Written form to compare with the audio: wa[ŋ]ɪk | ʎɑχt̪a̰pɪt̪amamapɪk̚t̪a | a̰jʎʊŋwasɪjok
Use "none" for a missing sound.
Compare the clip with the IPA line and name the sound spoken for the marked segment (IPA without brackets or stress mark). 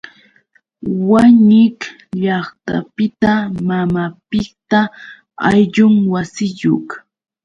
ɲ